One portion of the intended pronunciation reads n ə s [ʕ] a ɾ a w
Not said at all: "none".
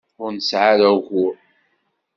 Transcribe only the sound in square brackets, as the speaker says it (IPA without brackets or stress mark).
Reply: ʕ